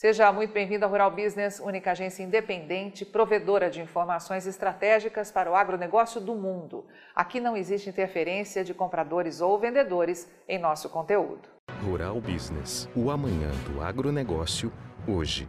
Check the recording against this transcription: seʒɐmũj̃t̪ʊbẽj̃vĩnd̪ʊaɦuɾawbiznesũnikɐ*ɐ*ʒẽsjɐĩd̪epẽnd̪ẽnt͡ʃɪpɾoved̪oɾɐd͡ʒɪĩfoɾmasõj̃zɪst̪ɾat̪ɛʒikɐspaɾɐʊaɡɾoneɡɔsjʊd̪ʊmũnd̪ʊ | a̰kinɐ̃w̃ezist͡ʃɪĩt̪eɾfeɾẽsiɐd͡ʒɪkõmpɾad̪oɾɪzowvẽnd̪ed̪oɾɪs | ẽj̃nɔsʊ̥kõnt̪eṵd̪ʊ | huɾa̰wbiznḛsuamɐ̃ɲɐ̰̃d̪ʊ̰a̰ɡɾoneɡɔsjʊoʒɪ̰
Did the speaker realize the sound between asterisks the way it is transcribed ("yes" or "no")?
no